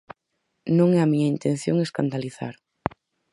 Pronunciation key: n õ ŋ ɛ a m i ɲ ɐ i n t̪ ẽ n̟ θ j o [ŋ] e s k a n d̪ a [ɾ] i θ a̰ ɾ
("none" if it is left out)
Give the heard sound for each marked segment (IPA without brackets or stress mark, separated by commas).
ŋ, l